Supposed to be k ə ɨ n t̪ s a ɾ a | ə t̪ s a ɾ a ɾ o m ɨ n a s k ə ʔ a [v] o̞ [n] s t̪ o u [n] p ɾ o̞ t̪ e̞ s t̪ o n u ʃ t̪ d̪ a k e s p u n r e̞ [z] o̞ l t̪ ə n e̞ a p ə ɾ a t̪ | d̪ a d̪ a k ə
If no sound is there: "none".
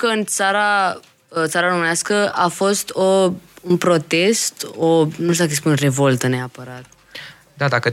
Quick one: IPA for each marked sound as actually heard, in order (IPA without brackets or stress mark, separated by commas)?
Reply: f, none, n, v